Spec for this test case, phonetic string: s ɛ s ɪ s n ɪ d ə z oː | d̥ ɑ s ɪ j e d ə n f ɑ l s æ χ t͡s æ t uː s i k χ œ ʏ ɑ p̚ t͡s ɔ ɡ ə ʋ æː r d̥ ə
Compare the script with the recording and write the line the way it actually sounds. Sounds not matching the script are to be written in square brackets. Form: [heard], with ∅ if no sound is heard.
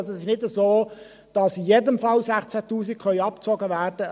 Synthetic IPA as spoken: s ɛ s ɪ [ʃ] n ɪ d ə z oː | d̥ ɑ s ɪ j e d ə [m] f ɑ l s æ χ t͡s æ t uː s i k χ œ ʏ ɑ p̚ t͡s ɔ ɡ ə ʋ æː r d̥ ə